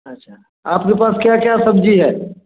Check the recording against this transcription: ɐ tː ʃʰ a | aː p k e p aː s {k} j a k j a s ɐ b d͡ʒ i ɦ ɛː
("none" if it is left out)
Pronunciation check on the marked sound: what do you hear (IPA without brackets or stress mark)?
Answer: k